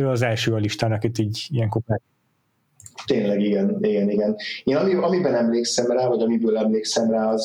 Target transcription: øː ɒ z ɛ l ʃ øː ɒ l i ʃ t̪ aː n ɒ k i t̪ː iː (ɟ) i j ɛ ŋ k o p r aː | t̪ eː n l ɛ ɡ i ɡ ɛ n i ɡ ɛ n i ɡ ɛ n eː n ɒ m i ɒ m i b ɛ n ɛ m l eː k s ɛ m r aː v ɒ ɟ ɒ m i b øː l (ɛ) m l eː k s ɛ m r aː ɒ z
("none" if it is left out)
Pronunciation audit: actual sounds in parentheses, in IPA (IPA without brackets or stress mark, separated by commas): ɟ, ɛ